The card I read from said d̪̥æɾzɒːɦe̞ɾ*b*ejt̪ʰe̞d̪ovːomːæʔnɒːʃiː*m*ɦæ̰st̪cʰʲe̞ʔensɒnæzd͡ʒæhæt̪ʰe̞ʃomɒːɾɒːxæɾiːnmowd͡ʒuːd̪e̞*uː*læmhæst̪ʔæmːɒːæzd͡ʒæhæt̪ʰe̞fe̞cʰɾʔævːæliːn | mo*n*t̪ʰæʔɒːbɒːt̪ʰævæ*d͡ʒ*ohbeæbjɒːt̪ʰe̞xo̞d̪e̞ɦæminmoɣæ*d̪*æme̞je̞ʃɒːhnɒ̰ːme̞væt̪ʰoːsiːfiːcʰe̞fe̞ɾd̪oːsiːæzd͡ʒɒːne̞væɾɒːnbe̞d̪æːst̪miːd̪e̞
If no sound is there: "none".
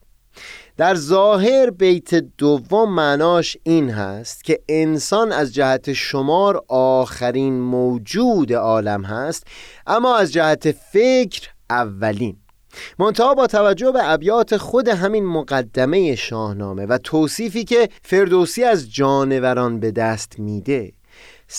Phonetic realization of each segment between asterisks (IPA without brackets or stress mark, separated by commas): b, n, ɒː, n, d͡ʒː, d̪ː